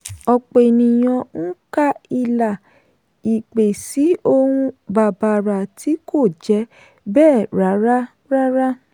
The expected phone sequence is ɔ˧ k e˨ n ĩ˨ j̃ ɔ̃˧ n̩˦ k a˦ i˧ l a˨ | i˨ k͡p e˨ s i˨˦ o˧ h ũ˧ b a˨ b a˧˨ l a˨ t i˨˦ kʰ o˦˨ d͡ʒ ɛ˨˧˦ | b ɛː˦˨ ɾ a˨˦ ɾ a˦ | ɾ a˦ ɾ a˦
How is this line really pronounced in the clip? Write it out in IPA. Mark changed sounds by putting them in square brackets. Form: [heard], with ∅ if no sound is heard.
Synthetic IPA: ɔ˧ [k͡p] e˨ n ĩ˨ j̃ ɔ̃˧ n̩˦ k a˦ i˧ l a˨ | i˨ k͡p e˨ s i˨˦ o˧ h ũ˧ b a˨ b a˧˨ [ɾ] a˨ t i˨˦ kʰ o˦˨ d͡ʒ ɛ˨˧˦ | b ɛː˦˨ ɾ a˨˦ ɾ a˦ | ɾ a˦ ɾ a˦